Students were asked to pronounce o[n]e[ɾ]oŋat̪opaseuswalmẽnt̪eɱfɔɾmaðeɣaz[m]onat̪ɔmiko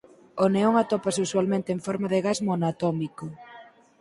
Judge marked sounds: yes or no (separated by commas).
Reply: yes, no, yes